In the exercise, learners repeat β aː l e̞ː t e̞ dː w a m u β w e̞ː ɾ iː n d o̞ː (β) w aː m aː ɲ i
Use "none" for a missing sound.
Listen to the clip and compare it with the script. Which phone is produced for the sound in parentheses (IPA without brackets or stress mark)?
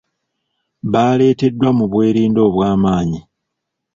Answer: β